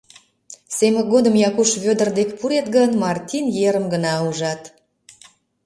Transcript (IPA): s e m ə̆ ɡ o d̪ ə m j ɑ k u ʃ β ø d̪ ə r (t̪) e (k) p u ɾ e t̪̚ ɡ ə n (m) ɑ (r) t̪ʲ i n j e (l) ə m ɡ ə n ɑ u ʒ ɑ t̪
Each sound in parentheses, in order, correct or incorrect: incorrect: d̪, correct, correct, correct, incorrect: ɾ

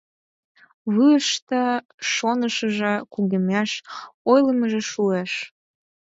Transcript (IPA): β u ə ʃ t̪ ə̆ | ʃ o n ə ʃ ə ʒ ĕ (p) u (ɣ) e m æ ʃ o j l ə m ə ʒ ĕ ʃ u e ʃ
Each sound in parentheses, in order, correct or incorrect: incorrect: k, correct

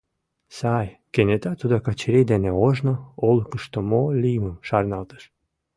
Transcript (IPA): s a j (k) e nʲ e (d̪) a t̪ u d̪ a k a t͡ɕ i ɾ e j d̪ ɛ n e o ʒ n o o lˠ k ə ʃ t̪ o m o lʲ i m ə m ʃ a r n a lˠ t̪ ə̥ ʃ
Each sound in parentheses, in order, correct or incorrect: correct, incorrect: t̪

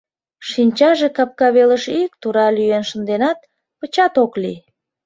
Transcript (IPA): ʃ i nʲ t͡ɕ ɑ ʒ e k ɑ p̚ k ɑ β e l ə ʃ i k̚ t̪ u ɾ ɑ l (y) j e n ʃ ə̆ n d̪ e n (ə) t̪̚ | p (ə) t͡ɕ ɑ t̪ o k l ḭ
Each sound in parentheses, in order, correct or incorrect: correct, incorrect: ɑ, correct

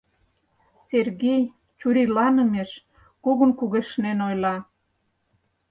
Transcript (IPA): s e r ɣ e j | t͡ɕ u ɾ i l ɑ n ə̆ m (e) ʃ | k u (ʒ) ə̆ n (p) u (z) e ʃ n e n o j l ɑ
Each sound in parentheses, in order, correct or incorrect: correct, incorrect: ɣ, incorrect: k, incorrect: ɣ

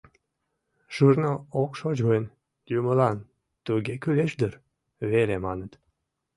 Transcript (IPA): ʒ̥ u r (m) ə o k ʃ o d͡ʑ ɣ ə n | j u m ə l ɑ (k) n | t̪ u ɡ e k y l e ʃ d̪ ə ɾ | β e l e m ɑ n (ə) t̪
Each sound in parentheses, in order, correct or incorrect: incorrect: n, incorrect: none, correct

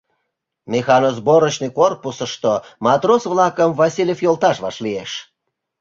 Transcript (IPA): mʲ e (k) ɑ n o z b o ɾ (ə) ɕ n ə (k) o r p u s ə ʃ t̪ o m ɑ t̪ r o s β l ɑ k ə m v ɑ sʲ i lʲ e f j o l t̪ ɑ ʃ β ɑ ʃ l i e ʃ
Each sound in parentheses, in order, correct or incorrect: incorrect: x, correct, correct

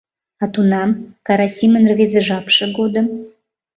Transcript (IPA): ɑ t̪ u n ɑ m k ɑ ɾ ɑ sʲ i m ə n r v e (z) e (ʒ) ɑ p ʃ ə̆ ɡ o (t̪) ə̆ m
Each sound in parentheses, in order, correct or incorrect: correct, correct, incorrect: d̪

